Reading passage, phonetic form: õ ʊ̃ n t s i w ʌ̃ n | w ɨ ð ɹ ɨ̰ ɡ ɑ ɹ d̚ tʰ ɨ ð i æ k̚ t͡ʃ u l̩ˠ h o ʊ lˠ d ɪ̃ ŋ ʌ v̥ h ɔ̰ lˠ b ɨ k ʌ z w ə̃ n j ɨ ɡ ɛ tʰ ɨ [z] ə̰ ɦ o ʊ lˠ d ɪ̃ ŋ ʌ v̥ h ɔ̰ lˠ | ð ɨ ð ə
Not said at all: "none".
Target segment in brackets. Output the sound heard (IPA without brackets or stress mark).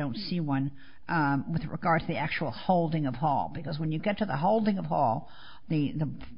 ð